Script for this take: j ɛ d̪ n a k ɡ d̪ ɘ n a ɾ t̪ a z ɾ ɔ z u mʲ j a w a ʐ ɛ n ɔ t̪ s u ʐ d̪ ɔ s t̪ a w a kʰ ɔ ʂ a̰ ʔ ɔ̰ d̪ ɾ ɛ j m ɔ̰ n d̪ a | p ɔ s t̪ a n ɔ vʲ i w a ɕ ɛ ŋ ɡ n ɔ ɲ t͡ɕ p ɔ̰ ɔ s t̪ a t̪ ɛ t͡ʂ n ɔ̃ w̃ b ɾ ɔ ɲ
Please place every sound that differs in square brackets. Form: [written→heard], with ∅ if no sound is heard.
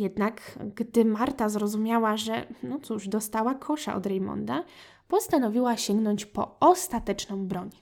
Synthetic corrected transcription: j ɛ d̪ n a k ɡ d̪ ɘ [n→m] a ɾ t̪ a z ɾ ɔ z u mʲ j a w a ʐ ɛ n ɔ t̪ s u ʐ d̪ ɔ s t̪ a w a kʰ ɔ ʂ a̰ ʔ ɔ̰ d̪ ɾ ɛ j m ɔ̰ n d̪ a | p ɔ s t̪ a n ɔ vʲ i w a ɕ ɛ ŋ ɡ n ɔ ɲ t͡ɕ p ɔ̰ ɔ s t̪ a t̪ ɛ t͡ʂ n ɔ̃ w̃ b ɾ ɔ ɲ